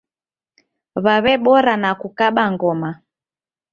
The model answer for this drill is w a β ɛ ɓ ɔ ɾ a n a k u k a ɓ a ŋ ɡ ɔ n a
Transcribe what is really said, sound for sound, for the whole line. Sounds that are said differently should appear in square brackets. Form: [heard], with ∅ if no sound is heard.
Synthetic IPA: [β] a β ɛ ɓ ɔ ɾ a n a k u k a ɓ a ŋ ɡ ɔ [m] a